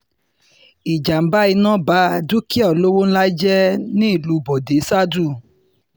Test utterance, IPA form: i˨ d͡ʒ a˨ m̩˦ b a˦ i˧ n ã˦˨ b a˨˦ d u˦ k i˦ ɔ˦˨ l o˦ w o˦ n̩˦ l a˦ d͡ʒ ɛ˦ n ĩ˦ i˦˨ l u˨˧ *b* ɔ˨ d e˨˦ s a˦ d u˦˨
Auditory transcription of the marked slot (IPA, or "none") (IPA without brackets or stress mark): b